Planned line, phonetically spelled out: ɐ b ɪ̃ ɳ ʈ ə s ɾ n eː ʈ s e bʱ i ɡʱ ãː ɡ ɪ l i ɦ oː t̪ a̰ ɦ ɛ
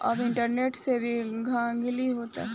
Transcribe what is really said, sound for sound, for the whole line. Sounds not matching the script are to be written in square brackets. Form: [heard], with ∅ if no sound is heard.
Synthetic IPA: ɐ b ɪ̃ ɳ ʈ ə [∅] ɾ n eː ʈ s e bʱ i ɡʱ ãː ɡ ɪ l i ɦ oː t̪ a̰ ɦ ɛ